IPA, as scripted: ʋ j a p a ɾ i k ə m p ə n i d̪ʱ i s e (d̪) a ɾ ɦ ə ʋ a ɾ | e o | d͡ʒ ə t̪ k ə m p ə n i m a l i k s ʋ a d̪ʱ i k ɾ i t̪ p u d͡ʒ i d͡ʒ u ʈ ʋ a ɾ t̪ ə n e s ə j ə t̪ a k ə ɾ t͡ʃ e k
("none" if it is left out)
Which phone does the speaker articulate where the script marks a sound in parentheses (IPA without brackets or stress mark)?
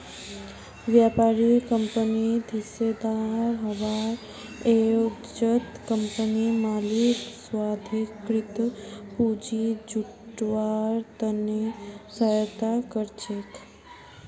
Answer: d̪